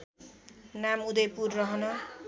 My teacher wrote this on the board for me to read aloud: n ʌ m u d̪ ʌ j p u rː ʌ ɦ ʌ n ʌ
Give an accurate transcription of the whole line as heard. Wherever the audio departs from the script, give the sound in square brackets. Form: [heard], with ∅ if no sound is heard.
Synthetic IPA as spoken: n [a] m u d̪ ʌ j p u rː ʌ ɦ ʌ n ʌ